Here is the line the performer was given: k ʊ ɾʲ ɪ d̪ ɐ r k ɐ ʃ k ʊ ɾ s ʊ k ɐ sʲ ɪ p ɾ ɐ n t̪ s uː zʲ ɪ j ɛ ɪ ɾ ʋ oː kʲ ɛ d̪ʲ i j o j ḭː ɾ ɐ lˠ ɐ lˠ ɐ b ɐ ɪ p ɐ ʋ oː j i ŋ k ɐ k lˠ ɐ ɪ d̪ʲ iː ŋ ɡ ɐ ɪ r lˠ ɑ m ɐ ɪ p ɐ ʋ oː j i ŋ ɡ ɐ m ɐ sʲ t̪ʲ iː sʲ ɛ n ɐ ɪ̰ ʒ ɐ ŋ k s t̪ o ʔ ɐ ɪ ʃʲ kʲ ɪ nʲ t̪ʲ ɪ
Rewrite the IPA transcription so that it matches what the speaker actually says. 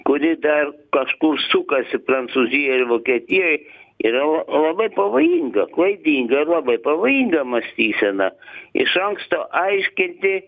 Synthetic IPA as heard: k ʊ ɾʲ ɪ d̪ ɐ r k ɐ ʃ k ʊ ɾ s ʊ k ɐ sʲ ɪ p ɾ ɐ n t̪ s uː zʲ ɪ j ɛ ɪ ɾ ʋ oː kʲ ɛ t̪ʲ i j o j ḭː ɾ ɐ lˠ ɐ lˠ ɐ b ɐ ɪ p ɐ ʋ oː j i ŋ ɡ ɐ k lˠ ɐ ɪ d̪ʲ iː ŋ ɡ ɐ ɪ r lˠ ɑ b ɐ ɪ p ɐ ʋ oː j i ŋ ɡ ɐ m ɐ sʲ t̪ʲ iː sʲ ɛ n ɐ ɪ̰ ʃ ɐ ŋ k s t̪ o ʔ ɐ ɪ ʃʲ kʲ ɪ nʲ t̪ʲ ɪ

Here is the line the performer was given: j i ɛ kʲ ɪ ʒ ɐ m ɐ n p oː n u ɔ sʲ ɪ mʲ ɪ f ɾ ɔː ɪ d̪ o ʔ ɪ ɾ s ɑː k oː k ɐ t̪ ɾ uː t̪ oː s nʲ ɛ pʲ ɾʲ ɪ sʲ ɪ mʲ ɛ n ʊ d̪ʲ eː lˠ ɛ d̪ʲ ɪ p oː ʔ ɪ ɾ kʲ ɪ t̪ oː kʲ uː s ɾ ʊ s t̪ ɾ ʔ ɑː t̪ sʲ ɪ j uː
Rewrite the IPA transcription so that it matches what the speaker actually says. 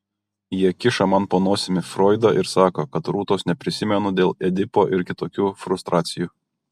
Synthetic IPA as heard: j i ɛ kʲ ɪ ʃ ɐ m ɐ n p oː n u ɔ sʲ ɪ mʲ ɪ f ɾ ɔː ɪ d̪ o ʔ ɪ ɾ s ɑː k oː k ɐ t̪ ɾ uː t̪ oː s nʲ ɛ pʲ ɾʲ ɪ sʲ ɪ mʲ ɛ n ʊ d̪ʲ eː lˠ ɛ d̪ʲ ɪ p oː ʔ ɪ ɾ kʲ ɪ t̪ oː kʲ uː f ɾ ʊ s t̪ ɾ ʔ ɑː t̪ sʲ ɪ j uː

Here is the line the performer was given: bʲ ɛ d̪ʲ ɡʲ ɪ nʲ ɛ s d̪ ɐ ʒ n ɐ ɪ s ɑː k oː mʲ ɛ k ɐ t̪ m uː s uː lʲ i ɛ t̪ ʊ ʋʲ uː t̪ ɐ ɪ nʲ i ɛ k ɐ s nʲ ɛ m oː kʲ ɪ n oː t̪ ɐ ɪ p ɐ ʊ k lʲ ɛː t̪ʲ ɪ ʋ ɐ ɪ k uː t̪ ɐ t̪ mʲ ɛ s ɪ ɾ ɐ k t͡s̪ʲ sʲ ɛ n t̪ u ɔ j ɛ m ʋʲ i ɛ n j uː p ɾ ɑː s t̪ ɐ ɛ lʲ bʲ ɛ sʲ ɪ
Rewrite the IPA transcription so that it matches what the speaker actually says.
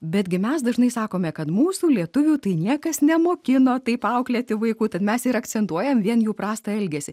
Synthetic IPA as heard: bʲ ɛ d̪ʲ ɡʲ ɪ mʲ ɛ s d̪ ɐ ʒ n ɐ ɪ s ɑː k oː mʲ ɛ k ɐ t̪ m uː s uː lʲ i ɛ t̪ ʊ ʋʲ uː t̪ ɐ ɪ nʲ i ɛ k ɐ s nʲ ɛ m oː kʲ ɪ n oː t̪ ɐ ɪ p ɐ ʊ k lʲ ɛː t̪ʲ ɪ ʋ ɐ ɪ k uː t̪ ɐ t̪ mʲ ɛ s ɪ ɾ ɐ k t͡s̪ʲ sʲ ɛ n t̪ u ɔ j ɛ m ʋʲ i ɛ n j uː p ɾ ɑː s t̪ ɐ ɛ lʲ ɡʲ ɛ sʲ ɪ

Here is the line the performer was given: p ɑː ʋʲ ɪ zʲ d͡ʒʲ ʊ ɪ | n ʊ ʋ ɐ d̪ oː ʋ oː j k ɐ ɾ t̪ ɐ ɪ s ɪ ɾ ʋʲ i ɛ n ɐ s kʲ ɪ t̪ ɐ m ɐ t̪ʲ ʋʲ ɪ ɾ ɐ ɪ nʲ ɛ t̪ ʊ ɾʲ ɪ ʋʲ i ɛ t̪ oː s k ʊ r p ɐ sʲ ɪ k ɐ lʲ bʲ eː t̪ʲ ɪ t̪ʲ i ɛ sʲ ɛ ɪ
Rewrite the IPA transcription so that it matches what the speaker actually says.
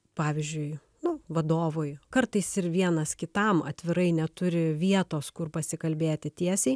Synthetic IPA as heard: p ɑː ʋʲ ɪ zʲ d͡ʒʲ ʊ ɪ | n ʊ ʋ ɐ d̪ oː ʋ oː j k ɐ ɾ t̪ ɐ ɪ s ɪ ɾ ʋʲ i ɛ n ɐ s kʲ ɪ t̪ ɐ m ɐ t̪ʲ ʋʲ ɪ ɾ ɐ ɪ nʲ ɛ t̪ ʊ ɾʲ ɪ ʋʲ i ɛ t̪ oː s k ʊ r p ɐ sʲ ɪ k ɐ lʲ bʲ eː t̪ʲ ɪ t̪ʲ i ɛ sʲ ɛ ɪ

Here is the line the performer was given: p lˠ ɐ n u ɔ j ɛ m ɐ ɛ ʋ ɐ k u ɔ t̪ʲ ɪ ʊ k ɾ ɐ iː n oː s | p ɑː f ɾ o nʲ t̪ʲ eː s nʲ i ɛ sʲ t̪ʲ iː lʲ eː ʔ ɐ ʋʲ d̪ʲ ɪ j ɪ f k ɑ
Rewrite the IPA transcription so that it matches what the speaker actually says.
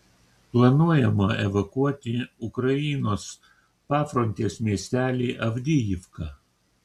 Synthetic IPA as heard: p lˠ ɐ n u ɔ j ɛ m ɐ ɛ ʋ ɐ k u ɔ t̪ʲ ɪ ʊ k ɾ ɐ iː n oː s | p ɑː f ɾ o nʲ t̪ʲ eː s mʲ i ɛ sʲ t̪ʲ æː lʲ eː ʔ ɐ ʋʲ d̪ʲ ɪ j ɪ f k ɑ

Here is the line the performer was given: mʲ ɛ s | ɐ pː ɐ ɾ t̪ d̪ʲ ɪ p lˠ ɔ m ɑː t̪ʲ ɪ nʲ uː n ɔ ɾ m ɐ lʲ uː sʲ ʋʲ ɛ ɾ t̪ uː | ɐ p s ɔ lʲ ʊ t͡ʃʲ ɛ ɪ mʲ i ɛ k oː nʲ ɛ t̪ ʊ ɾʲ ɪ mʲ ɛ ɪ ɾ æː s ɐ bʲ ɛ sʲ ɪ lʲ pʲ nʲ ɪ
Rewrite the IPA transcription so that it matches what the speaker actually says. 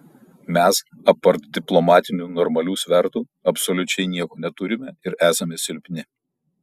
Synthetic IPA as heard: mʲ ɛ s | ɐ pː ɐ ɾ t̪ d̪ʲ ɪ p lˠ ɔ m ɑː t̪ʲ ɪ nʲ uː n ɔ ɾ m ɐ lʲ uː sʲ ʋʲ ɛ ɾ t̪ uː | ɐ p s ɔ lʲ ʊ t͡ʃʲ ɛ ɪ nʲ i ɛ k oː nʲ ɛ t̪ ʊ ɾʲ ɪ mʲ ɛ ɪ ɾ æː s ɐ mʲ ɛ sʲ ɪ lʲ pʲ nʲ ɪ

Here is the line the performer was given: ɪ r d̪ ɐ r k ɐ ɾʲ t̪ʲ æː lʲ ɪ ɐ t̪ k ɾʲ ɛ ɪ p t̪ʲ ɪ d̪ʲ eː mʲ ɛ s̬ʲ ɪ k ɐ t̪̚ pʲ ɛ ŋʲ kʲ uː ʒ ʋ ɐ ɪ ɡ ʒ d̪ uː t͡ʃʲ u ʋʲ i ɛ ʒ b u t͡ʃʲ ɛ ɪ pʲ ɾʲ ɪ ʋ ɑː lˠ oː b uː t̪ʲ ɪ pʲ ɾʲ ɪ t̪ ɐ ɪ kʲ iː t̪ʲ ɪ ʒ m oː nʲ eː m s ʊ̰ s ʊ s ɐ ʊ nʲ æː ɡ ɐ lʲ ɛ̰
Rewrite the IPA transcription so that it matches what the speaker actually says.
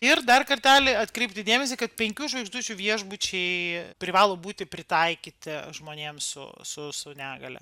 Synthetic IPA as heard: ɪ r d̪ ɐ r k ɐ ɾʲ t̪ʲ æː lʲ ɪ ɐ t̪ k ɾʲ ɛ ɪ p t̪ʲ ɪ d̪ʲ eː mʲ ɛ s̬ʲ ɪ k ɐ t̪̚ pʲ ɛ ŋʲ kʲ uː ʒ ʋ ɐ ɪ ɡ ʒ d̪ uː t͡ʃʲ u ʋʲ i ɛ ʒ b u t͡ʃʲ ɛ ɪ pʲ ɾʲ ɪ ʋ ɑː lˠ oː b uː t̪ʲ ɪ pʲ ɾʲ ɪ t̪ ɐ ɪ kʲ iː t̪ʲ ɪ ʒ m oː nʲ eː m s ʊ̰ s ʊ s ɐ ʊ nʲ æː ɡ ɐ lʲ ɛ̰

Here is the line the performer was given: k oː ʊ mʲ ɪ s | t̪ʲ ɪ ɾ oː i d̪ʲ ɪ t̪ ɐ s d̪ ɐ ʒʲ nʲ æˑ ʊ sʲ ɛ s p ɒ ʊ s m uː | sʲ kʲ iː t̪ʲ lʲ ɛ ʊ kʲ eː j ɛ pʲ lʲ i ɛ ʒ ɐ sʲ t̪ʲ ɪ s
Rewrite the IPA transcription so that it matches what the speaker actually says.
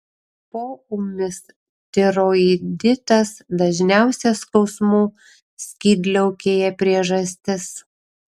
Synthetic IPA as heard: p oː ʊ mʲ ɪ s | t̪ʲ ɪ ɾ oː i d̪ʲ ɪ t̪ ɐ s d̪ ɐ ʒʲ nʲ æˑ ʊ sʲ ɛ s k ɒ ʊ s m uː | sʲ kʲ iː d̪ʲ lʲ ɛ ʊ kʲ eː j ɛ pʲ ɾʲ i ɛ ʒ ɐ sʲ t̪ʲ ɪ s

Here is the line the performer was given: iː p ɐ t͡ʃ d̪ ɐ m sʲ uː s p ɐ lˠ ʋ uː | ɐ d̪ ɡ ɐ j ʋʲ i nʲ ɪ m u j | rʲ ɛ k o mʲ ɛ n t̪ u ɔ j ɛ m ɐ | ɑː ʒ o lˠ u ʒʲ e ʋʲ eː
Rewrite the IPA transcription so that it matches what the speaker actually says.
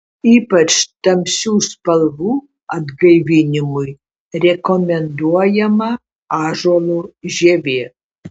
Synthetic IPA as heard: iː p ɐ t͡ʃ t̪ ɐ m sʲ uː s p ɐ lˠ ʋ uː | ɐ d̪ ɡ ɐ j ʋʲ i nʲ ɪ m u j | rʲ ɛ k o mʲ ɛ n d̪ u ɔ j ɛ m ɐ | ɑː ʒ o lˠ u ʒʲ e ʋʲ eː

